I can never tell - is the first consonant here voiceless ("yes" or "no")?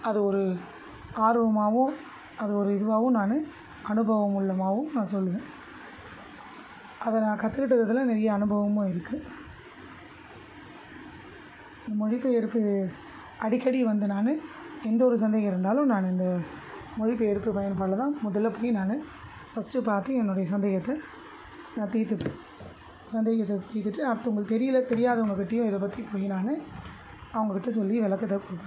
no